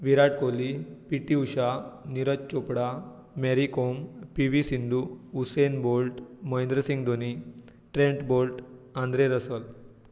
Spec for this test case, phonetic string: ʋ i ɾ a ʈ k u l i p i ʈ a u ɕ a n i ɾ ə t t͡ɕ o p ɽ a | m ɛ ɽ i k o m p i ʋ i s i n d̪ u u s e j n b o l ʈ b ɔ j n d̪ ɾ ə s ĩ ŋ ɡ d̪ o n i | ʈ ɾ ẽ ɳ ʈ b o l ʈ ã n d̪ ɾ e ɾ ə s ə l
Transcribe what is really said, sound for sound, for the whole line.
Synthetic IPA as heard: ʋ i ɾ a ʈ k o l i p i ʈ i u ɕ a n i ɾ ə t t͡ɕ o p ɽ a | m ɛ ɾ i k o m p i ʋ i s i n d̪ u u s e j n b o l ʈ m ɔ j n d̪ ɾ ə s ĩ ŋ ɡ d̪ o n i | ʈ ɾ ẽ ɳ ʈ b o l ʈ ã n d̪ ɾ e ɾ ə s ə l

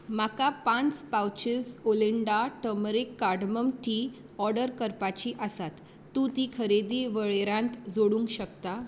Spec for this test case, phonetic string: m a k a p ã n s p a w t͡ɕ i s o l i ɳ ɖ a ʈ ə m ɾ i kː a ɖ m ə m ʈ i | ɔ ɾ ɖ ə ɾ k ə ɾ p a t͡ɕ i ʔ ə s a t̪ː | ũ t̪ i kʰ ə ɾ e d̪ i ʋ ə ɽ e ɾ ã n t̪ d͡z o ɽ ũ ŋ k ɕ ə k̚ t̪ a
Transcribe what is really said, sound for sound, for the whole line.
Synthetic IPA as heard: m a k a p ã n t͡s p a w t͡ɕ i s o l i ɳ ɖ a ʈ ə m ɾ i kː a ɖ m ə m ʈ i | ɔ ɾ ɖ ə ɾ k ə ɾ p a t͡ɕ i ʔ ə s a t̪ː | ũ t̪ i kʰ ə ɾ e d̪ i ʋ ə ɭ e ɾ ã n t̪ d͡z o ɽ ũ ŋ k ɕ ə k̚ t̪ a

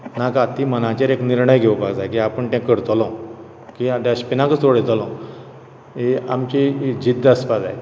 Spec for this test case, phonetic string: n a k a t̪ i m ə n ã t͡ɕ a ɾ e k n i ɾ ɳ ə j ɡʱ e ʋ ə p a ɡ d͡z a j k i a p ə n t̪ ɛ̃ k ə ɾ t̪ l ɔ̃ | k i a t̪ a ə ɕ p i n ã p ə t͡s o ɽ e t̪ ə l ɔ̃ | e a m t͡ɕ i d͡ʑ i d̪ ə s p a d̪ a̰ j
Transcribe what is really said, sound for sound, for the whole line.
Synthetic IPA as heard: n a k a t̪ i m ə n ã t͡ɕ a ɾ e k n i ɾ ɳ ə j ɡʱ e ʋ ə p a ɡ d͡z a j k i a p ə ɳ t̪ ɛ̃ k ə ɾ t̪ l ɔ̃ | k i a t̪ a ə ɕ p i n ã k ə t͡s o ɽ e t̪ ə l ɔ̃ | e a m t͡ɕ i d͡ʑ i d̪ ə s p a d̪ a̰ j

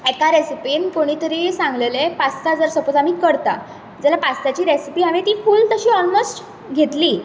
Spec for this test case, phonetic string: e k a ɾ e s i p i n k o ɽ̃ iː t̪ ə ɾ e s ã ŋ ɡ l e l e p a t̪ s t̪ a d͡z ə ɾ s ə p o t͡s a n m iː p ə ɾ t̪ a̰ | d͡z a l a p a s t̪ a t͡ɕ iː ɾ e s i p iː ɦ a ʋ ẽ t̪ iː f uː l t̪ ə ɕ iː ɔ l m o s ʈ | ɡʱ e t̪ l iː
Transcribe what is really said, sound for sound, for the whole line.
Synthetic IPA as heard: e k a ɾ e s i p i n k o ɽ̃ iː t̪ ə ɾ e s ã ŋ ɡ l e l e p a s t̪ a d͡z ə ɾ s ə p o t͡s a m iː k ə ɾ t̪ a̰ | d͡z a l a p a s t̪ a t͡ɕ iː ɾ e s i p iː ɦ a ʋ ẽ t̪ iː f uː l t̪ ə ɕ iː ɔ l m o s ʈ | ɡʱ e t̪ l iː

